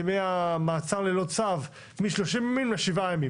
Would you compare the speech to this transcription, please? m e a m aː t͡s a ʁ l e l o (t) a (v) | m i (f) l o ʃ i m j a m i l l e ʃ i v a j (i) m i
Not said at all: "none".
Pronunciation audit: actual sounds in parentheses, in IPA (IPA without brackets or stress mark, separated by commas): t͡s, v, ʃ, a